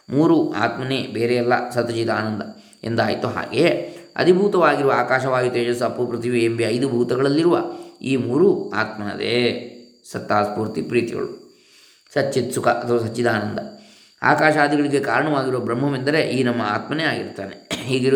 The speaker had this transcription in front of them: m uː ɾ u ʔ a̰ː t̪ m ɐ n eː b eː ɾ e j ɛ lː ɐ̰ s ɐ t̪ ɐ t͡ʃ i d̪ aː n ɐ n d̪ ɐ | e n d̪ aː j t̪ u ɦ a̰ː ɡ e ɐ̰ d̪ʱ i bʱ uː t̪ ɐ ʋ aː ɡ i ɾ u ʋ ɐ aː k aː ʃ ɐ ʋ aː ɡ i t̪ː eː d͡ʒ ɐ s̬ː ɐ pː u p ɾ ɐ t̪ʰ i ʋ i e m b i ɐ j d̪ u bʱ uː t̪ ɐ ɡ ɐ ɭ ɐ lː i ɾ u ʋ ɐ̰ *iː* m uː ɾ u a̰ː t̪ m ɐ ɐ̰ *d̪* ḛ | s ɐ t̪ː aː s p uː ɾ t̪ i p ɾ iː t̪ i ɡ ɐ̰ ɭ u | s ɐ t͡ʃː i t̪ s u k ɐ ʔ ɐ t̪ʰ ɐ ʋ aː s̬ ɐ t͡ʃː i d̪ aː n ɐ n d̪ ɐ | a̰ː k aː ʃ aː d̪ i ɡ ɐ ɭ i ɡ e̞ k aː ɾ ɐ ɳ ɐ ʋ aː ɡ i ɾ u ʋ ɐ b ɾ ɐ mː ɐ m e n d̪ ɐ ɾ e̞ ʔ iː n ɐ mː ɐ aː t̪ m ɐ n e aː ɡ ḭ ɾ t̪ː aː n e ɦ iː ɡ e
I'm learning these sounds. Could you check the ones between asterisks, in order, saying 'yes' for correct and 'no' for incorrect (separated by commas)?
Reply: yes, yes